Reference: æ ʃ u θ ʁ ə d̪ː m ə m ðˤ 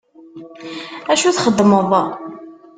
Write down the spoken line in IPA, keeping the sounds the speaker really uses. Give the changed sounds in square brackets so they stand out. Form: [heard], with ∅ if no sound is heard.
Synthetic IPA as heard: æ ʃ u θ [χ] ə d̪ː m ə [∅] ðˤ